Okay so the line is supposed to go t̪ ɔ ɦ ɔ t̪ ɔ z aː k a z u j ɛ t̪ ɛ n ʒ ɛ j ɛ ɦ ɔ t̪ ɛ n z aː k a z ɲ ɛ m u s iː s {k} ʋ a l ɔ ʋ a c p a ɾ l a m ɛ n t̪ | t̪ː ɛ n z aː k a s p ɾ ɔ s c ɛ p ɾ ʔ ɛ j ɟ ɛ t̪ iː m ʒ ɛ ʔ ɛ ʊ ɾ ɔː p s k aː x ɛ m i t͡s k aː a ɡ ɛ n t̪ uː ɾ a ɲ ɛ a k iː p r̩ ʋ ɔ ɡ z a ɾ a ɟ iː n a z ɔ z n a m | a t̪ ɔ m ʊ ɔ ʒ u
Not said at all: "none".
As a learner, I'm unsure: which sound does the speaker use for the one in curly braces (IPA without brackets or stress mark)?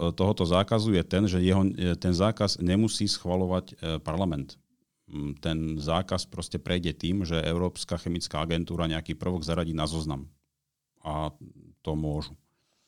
x